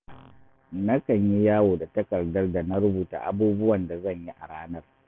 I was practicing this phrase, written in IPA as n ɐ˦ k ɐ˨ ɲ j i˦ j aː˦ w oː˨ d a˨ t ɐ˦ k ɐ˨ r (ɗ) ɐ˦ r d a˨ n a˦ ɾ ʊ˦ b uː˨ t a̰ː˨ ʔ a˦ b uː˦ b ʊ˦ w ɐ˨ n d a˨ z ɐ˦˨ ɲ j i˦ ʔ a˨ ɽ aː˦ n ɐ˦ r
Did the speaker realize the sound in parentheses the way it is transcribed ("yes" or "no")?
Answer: no